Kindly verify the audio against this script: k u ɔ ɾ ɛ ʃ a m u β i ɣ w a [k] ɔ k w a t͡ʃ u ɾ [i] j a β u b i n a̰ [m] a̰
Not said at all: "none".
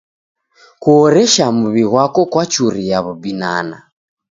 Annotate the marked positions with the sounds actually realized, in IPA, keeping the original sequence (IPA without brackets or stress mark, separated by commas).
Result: k, i, n